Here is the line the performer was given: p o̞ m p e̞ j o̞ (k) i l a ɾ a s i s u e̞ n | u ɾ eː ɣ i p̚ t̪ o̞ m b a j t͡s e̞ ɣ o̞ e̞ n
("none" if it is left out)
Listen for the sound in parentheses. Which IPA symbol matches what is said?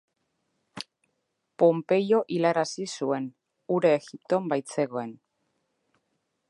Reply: ʔ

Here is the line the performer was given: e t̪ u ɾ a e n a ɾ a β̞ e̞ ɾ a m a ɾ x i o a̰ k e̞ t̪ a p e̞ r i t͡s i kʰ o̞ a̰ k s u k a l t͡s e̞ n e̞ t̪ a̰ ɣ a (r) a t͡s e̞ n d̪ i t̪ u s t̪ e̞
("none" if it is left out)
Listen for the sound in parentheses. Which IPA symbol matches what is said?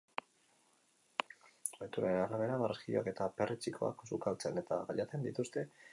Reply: ʎ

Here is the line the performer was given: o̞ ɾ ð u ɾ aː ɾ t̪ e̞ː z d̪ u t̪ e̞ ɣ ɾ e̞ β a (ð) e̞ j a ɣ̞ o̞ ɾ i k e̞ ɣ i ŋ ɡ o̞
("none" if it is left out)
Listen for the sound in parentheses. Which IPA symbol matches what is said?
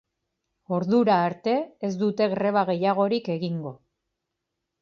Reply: ɣ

